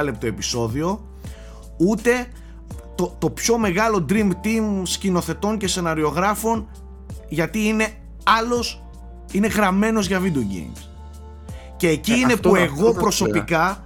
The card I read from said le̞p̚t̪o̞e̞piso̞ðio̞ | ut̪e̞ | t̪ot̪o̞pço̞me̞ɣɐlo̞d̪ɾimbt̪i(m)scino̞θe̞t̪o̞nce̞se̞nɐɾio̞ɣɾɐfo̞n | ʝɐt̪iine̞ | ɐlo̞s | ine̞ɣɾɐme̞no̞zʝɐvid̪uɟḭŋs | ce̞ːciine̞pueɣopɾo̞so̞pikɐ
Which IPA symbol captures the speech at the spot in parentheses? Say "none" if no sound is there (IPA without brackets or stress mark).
m